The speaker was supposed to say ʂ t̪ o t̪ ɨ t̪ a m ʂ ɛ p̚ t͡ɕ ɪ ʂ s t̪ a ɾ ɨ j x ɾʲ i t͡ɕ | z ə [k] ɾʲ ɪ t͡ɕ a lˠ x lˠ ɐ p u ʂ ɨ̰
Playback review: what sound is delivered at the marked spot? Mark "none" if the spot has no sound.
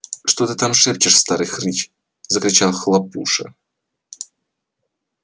k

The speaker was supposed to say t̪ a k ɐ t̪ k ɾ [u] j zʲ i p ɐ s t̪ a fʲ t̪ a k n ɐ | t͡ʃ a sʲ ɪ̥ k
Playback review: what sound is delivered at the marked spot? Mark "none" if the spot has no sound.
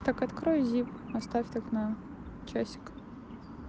ɔ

